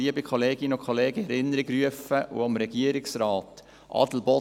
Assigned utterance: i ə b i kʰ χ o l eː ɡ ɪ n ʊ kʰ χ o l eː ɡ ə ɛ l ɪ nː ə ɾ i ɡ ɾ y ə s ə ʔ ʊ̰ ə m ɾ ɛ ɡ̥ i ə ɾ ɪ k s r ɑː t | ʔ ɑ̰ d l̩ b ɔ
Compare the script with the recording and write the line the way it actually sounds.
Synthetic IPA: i ə b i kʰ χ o l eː ɡ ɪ n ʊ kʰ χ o l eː ɡ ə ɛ ɾ ɪ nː ə ɾ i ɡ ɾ y ə f ə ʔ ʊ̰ ɑ m ɾ ɛ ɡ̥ i ə ɾ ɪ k s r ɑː t | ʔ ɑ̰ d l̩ b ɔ

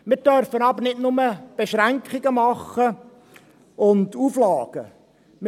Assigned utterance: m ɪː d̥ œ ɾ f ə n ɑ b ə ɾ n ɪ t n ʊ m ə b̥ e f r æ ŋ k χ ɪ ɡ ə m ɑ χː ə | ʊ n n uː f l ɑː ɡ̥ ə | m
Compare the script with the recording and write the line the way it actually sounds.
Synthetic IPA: m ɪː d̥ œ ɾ f ə n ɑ b ə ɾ n ɪ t n ʊ m ə b̥ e ʃ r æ ŋ k χ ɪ ɡ ə m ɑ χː ə | ʊ n d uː f l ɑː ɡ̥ ə | m

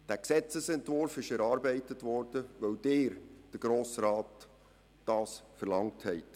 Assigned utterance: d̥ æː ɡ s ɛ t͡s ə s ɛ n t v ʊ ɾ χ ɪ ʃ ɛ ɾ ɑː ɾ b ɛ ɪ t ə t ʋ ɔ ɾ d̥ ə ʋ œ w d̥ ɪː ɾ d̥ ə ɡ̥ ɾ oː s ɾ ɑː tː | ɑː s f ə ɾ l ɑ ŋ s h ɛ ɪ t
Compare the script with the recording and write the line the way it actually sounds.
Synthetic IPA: d̥ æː k s ɛ t͡s ə s ɛ n t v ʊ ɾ f ɪ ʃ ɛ ɾ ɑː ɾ b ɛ ɪ t ə t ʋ ɔ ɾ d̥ ə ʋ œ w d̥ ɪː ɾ d̥ ə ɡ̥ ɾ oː s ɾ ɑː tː | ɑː s f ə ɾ l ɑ ŋ t h ɛ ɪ t

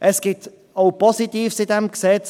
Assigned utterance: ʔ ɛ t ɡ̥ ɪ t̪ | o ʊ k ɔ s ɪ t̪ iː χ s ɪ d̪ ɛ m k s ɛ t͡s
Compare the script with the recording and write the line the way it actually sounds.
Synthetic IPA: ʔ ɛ s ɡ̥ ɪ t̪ | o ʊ p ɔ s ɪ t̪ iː f s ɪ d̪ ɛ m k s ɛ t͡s

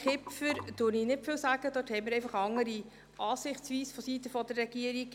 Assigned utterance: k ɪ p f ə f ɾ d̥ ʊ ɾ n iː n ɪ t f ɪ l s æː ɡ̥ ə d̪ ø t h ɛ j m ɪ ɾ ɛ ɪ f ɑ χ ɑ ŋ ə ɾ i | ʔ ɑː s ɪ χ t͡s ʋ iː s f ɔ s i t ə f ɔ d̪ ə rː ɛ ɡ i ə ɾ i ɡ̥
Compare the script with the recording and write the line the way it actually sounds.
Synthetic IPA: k ɪ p f ə ɾ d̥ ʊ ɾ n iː n ɪ t f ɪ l s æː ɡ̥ ə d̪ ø t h ɛ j m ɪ ɾ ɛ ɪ f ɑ χ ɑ ŋ ə ɾ i | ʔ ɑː s ɪ χ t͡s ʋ iː s f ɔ s i t ə f ɔ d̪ ə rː ɛ ɡ i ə ɾ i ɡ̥

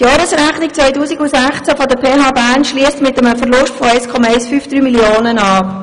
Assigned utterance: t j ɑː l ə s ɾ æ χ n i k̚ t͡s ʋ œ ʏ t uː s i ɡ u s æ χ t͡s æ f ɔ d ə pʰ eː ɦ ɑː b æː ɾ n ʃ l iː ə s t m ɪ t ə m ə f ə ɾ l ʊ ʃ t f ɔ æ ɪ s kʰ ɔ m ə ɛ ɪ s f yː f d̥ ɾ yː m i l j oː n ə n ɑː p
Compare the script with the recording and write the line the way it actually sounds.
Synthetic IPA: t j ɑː ɾ ə s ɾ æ χ n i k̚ t͡s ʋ œ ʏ t uː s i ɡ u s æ χ t͡s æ f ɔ d ə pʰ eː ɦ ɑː b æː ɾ n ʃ l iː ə s t m ɪ t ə m ə f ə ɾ l ʊ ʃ t f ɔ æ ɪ s kʰ ɔ m ɑ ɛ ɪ s f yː f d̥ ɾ yː m i l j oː n ə n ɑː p

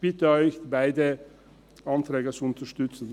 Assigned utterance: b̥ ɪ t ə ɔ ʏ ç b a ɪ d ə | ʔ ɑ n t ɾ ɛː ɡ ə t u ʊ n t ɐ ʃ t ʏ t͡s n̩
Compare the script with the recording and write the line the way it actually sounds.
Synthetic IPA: b̥ ɪ t ə ɔ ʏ ç b a ɪ d ə | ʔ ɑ n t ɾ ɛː ɡ ə t͡s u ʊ n t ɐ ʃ t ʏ t͡s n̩

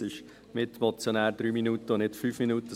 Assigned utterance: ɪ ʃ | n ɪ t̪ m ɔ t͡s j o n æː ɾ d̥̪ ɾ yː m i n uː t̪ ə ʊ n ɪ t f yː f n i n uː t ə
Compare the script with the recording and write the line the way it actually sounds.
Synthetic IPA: ɪ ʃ | m ɪ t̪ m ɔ t͡s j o n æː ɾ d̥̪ ɾ yː m i n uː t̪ ə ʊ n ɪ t f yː f m i n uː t ə

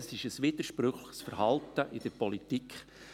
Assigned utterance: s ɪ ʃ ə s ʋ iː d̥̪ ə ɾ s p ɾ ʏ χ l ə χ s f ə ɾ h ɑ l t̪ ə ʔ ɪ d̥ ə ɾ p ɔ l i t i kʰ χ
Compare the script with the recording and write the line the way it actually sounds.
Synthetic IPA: s ɪ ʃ ə s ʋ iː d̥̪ ə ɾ ʃ p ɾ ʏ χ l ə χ s f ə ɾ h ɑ l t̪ ə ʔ ɪ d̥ ə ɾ p ɔ l i t i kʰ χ

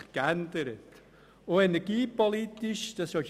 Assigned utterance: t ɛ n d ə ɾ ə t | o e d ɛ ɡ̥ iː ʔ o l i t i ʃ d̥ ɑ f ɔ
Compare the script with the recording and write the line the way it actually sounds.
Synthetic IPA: k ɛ n d ə ɾ ə t | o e n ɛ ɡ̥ iː p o l i t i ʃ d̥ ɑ s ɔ

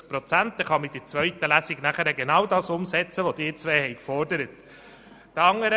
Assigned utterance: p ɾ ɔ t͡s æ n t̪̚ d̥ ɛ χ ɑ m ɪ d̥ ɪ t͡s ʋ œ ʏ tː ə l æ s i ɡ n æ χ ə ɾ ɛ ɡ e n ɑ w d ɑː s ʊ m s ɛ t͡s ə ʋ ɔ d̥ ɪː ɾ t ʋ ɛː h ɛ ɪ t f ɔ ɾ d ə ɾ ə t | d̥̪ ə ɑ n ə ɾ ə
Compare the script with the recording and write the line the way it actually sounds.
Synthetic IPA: p ɾ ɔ t͡s æ n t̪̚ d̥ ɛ χ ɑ m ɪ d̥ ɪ t͡s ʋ œ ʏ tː ə l æ s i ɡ n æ χ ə ɾ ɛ ɡ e n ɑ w d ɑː s ʊ m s ɛ t͡s ə ʋ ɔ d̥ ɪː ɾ t͡s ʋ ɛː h ɛ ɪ k f ɔ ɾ d ə ɾ ə t | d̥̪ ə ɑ ŋ ə ɾ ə

